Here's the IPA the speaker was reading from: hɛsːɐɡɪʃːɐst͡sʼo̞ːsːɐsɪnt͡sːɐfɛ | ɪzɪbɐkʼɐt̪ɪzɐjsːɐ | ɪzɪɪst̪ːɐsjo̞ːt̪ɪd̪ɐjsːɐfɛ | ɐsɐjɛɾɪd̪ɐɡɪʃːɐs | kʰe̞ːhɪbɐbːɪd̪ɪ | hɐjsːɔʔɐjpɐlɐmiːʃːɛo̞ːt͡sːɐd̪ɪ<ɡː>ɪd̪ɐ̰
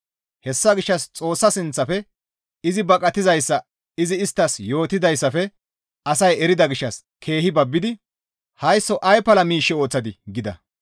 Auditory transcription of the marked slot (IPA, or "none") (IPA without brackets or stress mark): ɡ